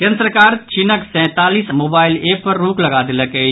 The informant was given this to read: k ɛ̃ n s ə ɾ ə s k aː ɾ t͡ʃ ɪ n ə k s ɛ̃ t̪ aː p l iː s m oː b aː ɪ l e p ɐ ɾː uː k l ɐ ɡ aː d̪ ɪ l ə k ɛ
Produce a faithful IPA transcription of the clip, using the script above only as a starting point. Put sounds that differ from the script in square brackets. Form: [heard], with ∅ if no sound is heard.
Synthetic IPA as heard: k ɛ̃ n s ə ɾ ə [∅] k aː ɾ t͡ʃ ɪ n ə k s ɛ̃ t̪ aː [∅] l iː s m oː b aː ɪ l e p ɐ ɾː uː k l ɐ ɡ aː d̪ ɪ l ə k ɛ

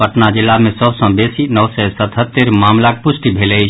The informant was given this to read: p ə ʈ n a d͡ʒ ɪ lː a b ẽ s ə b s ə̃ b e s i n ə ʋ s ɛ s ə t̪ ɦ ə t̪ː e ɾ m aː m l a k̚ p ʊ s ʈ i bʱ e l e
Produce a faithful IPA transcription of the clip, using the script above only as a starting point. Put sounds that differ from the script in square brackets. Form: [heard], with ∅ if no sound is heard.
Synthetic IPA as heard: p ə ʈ n a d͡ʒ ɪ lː a [m] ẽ s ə b s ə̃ b e s i n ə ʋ s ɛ s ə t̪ ɦ ə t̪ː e ɾ m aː m l a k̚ p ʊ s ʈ i bʱ e l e

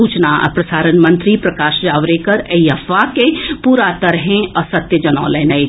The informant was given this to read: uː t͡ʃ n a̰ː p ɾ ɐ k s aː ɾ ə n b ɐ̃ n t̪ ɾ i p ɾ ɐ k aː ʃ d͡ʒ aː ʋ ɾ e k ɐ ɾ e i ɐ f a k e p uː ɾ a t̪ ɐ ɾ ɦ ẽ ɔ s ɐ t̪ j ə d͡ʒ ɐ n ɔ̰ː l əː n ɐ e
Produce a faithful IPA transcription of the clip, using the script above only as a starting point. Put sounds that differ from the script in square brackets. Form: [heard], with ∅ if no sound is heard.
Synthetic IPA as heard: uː t͡ʃ n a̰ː p ɾ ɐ [∅] s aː ɾ ə n [m] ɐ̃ n t̪ ɾ i p ɾ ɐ k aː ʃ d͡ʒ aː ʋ ɾ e k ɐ ɾ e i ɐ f a k e p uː ɾ a t̪ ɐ ɾ ɦ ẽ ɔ s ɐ t̪ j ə d͡ʒ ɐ n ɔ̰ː l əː n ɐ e

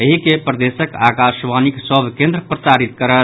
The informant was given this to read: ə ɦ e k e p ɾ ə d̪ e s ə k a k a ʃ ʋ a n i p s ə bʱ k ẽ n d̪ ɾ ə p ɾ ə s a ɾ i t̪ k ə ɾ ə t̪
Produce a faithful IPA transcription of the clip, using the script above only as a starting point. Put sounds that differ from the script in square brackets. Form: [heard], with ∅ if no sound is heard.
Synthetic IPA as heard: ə ɦ [i] k e p ɾ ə d̪ e s ə k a k a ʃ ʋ a n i [k] s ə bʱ k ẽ n d̪ ɾ ə p ɾ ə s a ɾ i t̪ k ə ɾ ə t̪

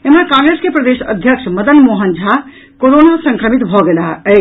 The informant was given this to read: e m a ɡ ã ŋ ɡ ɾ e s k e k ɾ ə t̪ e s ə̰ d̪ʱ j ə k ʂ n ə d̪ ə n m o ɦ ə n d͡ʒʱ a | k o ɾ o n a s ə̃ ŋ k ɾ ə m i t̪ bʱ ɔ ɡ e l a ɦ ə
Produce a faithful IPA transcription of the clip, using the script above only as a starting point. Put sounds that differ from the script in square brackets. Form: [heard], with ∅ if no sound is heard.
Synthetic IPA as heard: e m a [k] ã ŋ ɡ ɾ e s k e [p] ɾ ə [d̪] e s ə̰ d̪ʱ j ə k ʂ [m] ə d̪ ə n m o ɦ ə n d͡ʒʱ a | k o ɾ o n a s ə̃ ŋ k ɾ ə m i t̪ bʱ ɔ ɡ e l a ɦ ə

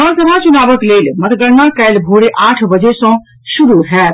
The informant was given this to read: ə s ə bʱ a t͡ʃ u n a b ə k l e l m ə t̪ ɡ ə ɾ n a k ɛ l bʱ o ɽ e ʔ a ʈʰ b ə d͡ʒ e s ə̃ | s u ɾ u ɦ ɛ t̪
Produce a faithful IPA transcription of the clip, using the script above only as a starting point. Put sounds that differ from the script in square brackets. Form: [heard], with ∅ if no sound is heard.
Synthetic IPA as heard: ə s ə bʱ a t͡ʃ u n a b ə k l e l m ə t̪ ɡ ə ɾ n a k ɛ l bʱ o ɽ e ʔ a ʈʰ b ə d͡ʒ e s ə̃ | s u ɾ u ɦ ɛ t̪

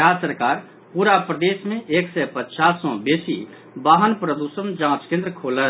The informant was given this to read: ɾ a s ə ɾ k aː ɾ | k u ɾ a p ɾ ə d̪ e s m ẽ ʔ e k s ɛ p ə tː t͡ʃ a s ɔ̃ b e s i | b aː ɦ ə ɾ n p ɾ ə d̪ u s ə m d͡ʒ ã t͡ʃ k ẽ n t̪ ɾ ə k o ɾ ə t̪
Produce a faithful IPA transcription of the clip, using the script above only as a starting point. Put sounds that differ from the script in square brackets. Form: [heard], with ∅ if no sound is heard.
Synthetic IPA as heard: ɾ a s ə ɾ k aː ɾ | [p] u ɾ a p ɾ ə d̪ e s m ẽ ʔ e k s ɛ p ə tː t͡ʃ a s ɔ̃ b e s i | b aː ɦ ə [∅] n p ɾ ə d̪ u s ə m d͡ʒ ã t͡ʃ k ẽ n [d̪] ɾ ə [kʰ] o [l] ə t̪

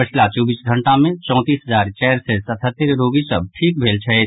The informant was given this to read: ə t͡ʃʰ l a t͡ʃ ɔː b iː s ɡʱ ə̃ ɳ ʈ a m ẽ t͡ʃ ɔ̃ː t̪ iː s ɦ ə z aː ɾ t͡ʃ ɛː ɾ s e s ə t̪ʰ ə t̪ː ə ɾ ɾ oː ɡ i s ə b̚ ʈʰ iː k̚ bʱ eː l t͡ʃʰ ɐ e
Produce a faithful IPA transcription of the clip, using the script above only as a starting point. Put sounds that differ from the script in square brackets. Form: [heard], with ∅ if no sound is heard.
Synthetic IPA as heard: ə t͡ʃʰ l a t͡ʃ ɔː b iː s ɡʱ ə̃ ɳ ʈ a m ẽ t͡ʃ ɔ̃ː t̪ iː s ɦ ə z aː ɾ t͡ʃ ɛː ɾ s e s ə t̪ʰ ə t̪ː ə ɾ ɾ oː ɡ i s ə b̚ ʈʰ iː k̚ bʱ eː l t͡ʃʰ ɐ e

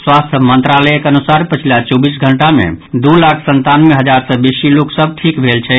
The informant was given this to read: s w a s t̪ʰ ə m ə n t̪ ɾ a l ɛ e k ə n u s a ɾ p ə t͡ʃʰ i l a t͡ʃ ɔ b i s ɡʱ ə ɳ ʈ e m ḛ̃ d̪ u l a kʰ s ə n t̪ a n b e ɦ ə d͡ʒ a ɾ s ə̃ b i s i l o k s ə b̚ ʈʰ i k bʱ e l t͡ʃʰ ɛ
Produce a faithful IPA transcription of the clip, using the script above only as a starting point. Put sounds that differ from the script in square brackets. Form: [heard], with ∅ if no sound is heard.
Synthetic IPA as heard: s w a s t̪ʰ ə m ə n t̪ ɾ a l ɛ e k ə n u s a ɾ p ə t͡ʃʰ i l a t͡ʃ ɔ b i s ɡʱ ə ɳ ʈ [a] m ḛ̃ d̪ u l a kʰ s ə n t̪ a n [m] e ɦ ə d͡ʒ a ɾ s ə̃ b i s i l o k s ə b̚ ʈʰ i k bʱ e l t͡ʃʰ ɛ

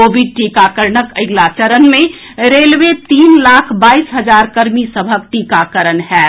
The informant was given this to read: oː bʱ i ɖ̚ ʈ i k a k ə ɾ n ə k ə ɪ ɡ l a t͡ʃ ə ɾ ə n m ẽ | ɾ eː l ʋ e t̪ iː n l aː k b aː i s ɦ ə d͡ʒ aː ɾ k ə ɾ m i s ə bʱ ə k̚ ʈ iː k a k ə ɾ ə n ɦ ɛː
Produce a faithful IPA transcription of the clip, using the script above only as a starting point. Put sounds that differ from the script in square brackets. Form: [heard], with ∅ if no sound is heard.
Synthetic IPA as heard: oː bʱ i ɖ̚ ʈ i k a k ə ɾ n ə k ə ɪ ɡ l a t͡ʃ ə ɾ ə n m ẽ | ɾ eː l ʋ e t̪ iː n l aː [kʰ] b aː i s ɦ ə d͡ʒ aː ɾ k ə ɾ m i s ə bʱ ə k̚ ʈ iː k a k ə ɾ ə n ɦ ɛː

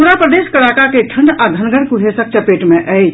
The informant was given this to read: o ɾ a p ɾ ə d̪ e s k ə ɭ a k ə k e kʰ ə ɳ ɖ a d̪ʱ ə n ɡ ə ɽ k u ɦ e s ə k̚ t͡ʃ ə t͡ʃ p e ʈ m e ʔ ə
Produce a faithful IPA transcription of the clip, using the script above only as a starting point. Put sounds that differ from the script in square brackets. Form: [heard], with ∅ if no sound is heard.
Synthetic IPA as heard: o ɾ a p ɾ ə d̪ e s k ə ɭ a k [a] k e [ʈʰ] ə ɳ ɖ a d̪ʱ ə n ɡ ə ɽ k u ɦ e s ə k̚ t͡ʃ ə [∅] p e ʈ m e ʔ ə

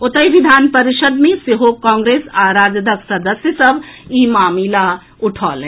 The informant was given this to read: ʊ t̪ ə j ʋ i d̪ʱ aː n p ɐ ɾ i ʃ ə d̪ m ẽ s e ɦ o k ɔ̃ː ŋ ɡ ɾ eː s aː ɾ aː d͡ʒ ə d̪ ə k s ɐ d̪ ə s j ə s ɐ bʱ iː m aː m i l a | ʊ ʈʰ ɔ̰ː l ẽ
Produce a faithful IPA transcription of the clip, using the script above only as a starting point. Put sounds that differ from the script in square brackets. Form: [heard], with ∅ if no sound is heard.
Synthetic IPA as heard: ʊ t̪ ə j ʋ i d̪ʱ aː n p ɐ ɾ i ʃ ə d̪ m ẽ s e ɦ o k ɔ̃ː ŋ ɡ ɾ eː s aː ɾ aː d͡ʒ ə d̪ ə k s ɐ d̪ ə s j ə s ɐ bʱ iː m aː m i l a | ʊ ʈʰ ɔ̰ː l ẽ

